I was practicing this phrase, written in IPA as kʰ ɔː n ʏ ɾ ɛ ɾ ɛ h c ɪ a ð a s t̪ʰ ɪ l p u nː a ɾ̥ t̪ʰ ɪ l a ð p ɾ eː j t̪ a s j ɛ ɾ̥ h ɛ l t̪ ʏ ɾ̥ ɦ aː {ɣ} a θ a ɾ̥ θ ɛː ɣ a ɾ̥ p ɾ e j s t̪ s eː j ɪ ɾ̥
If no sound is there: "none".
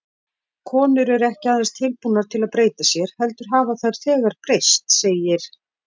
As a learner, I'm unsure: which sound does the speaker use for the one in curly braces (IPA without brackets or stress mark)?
v